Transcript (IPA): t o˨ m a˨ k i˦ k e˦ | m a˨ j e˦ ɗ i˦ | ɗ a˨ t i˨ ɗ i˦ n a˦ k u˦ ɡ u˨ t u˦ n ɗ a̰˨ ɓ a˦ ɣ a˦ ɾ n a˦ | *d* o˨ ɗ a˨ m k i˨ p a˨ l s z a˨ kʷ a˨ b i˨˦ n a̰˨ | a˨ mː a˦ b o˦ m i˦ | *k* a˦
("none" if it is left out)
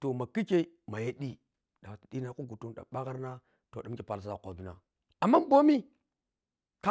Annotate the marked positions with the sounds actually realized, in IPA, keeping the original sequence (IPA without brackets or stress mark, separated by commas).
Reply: t, k